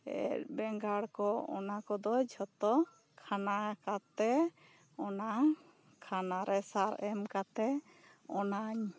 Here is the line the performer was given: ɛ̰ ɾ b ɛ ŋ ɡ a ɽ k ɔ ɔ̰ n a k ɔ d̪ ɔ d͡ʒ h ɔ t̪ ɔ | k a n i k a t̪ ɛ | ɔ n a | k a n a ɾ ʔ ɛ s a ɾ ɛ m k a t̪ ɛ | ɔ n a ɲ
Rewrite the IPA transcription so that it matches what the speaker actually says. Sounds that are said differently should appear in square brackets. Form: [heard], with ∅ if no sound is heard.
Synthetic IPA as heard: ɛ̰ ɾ b ɛ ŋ ɡ a ɽ k ɔ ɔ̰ n a k ɔ d̪ ɔ d͡ʒ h ɔ t̪ ɔ | [kʰ] a n [a] k a t̪ ɛ | ɔ n a | [kʰ] a n a ɾ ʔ ɛ s a ɾ ɛ m k a t̪ ɛ | ɔ n a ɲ